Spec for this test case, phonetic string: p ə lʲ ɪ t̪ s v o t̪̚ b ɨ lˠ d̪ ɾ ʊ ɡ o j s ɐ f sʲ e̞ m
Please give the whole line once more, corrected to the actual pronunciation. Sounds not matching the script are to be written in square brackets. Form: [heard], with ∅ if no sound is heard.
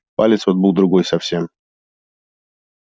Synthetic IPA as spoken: p [a] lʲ ɪ t̪ s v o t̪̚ b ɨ lˠ d̪ ɾ ʊ ɡ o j s ɐ f sʲ e̞ m